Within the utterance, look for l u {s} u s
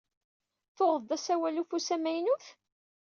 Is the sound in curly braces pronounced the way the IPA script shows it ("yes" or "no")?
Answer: no